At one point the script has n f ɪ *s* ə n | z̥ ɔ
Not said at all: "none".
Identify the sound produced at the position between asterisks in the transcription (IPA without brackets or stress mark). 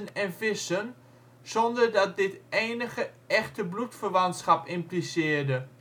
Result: s